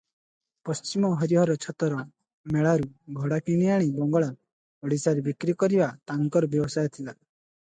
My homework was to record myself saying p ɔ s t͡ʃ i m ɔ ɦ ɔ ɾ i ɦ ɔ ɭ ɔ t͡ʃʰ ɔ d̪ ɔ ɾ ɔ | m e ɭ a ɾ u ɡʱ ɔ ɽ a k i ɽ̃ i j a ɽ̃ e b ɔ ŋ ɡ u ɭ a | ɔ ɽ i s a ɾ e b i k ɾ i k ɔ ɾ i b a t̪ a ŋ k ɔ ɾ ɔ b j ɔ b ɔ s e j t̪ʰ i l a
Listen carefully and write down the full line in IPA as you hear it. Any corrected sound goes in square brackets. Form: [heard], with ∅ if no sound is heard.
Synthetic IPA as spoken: p ɔ s t͡ʃ i m ɔ ɦ ɔ ɾ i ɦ ɔ [ɾ] ɔ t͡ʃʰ ɔ [t̪] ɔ ɾ ɔ | m e ɭ a ɾ u ɡʱ ɔ ɽ a k i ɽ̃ i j a ɽ̃ [i] b ɔ ŋ ɡ [ɔ] ɭ a | ɔ ɽ i s a ɾ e b i k ɾ i k ɔ ɾ i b a t̪ a ŋ k ɔ ɾ ɔ b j ɔ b ɔ s [a] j t̪ʰ i l a